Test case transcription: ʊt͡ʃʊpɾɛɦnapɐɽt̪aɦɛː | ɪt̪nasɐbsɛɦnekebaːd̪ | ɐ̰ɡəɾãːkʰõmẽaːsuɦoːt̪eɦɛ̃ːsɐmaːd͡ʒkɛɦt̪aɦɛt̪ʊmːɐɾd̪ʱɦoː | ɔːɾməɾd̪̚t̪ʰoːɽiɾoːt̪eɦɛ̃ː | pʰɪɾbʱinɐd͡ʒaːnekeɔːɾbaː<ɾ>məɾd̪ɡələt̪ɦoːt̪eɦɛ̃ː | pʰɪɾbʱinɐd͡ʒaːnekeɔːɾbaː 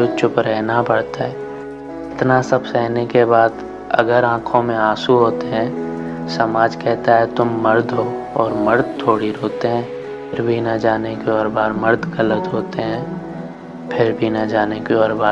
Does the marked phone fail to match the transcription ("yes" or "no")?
no